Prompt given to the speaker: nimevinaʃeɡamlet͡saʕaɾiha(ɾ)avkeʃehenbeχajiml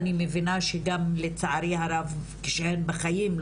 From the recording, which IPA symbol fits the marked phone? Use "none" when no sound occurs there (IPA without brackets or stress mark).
ɾ